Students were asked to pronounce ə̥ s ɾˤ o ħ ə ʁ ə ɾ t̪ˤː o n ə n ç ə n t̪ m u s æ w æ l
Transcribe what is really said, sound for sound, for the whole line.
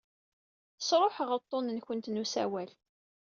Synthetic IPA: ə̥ s ɾˤ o ħ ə ʁ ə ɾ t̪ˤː o n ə n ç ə n t̪ n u s æ w æ l